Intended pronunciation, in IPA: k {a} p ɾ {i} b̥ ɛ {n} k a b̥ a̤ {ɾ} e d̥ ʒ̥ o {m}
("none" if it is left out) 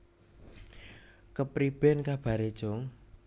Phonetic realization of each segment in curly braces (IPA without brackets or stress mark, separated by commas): ə, i, n, ɾ, ŋ